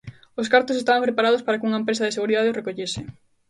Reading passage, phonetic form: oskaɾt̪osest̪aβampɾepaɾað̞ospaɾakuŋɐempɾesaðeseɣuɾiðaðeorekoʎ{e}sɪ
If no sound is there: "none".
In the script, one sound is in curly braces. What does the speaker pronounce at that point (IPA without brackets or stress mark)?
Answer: e